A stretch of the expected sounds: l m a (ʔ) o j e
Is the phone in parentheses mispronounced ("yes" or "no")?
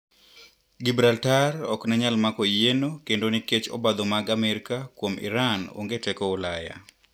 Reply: yes